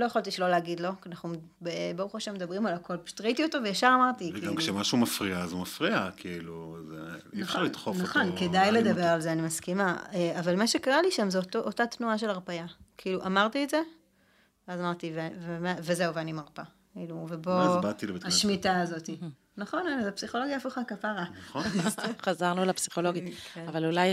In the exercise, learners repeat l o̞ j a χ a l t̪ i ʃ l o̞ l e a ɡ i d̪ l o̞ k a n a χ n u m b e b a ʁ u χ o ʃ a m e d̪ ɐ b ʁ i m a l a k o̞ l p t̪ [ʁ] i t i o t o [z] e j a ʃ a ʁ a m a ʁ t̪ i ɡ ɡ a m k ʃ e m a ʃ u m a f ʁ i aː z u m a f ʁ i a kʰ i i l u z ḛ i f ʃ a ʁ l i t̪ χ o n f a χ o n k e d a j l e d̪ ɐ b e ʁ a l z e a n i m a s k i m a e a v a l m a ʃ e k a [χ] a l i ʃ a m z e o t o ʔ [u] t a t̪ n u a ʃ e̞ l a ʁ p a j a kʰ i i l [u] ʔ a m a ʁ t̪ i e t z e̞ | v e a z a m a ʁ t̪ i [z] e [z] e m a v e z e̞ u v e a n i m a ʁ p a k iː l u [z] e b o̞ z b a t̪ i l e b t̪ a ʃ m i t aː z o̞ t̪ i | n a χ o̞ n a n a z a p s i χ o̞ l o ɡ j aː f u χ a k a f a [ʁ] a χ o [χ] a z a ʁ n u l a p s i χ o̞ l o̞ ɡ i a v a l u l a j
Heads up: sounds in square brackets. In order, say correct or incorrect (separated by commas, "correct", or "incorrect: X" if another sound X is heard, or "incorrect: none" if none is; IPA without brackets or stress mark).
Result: correct, incorrect: v, incorrect: ʁ, incorrect: o, correct, incorrect: v, incorrect: v, incorrect: v, correct, correct